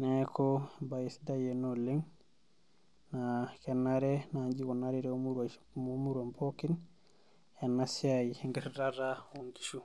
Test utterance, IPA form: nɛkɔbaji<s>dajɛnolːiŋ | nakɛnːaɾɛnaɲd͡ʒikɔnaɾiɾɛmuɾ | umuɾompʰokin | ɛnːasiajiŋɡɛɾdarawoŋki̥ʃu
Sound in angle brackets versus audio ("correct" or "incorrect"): correct